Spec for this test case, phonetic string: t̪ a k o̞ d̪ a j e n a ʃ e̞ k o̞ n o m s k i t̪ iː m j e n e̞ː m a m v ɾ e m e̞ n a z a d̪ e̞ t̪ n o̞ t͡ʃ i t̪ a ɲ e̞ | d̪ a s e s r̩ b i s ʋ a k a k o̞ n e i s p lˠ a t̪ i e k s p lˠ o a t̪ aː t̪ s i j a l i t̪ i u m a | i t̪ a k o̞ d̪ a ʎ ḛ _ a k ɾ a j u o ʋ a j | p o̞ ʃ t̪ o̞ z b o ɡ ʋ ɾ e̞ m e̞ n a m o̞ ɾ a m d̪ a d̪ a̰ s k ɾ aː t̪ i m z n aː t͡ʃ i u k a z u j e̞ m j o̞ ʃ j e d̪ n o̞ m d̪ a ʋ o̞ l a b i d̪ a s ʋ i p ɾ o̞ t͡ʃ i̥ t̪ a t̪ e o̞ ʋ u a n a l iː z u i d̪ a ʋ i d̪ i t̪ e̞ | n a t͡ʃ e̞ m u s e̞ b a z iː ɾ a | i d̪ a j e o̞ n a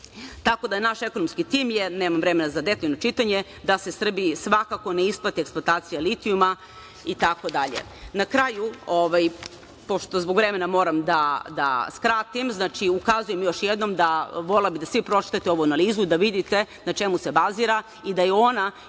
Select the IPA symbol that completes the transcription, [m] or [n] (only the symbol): n